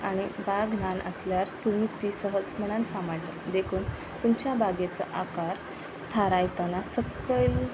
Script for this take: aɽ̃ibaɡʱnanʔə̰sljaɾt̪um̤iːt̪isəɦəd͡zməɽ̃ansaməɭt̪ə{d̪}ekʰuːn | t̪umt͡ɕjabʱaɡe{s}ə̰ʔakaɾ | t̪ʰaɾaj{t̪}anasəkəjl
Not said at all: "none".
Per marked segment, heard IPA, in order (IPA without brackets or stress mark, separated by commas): d̪, t͡s, t̪